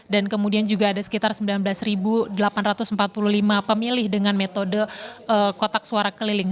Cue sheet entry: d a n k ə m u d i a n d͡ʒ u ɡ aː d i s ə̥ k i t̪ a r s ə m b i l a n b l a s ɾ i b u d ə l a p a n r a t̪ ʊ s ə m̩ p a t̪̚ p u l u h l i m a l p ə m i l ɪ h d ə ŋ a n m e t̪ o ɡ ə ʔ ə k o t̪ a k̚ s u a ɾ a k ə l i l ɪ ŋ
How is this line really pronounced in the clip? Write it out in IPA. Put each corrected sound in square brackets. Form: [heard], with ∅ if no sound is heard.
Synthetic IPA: d a n k ə m u d i a n d͡ʒ u ɡ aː d [a] s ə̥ k i t̪ a r s ə m b i l a n b l a s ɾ i b u d ə l a p a n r a t̪ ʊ s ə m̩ p a t̪̚ p u l u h l i m a [∅] p ə m i l ɪ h d ə ŋ a n m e t̪ o [d] ə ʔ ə k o t̪ a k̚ s u a ɾ a k ə l i l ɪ ŋ